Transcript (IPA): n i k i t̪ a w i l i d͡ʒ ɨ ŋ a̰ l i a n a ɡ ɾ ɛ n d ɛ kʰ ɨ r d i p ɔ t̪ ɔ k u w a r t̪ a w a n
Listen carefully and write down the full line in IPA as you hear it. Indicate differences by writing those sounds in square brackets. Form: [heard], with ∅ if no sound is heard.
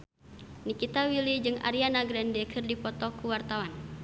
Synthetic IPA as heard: n i k i t̪ a w i l i d͡ʒ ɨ ŋ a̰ [ɾ] i a n a ɡ ɾ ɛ n d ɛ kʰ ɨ r d i p ɔ t̪ ɔ k u w a r t̪ a w a n